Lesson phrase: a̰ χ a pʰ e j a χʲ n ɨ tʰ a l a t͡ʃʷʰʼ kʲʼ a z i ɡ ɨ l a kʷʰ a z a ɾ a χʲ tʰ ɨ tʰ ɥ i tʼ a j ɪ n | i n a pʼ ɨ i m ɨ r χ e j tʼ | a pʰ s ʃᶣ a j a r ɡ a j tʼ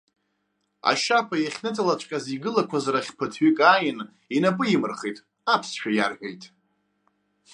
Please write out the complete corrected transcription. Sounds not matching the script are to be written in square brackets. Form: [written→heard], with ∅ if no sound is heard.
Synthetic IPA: a̰ [χ→ʃ] a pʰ [e→a] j a χʲ n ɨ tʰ a l a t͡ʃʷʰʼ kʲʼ a z i ɡ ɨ l a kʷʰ a z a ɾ a χʲ [tʰ→pʰ] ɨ tʰ ɥ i [tʼ→kʼ] a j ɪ n | i n a pʼ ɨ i m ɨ r χ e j tʼ | a pʰ s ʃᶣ a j a r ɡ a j tʼ